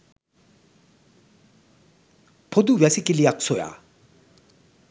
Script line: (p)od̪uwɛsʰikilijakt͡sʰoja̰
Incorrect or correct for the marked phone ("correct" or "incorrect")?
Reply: incorrect